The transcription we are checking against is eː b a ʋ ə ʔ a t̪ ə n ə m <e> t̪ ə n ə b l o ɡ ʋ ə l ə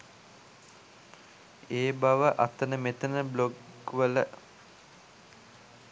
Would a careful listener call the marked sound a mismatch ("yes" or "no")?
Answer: no